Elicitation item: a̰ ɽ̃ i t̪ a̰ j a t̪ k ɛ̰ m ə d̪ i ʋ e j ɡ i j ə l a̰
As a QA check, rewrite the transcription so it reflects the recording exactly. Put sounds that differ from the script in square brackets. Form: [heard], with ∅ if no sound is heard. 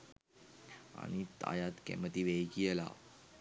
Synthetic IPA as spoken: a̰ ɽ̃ i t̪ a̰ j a t̪ k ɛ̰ m ə [t̪] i ʋ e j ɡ i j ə l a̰